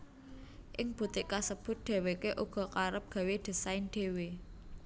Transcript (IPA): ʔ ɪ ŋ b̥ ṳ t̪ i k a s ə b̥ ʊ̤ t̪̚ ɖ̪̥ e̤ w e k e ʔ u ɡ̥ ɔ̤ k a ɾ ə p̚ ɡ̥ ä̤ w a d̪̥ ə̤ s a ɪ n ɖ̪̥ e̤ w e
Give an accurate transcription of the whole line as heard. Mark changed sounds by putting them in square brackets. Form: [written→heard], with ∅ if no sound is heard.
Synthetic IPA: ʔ ɪ ŋ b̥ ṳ t̪ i k a s ə b̥ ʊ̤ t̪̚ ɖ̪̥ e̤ w e k e ʔ u ɡ̥ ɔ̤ k a ɾ ə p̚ ɡ̥ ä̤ w [a→e] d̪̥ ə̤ s a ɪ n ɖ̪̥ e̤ w e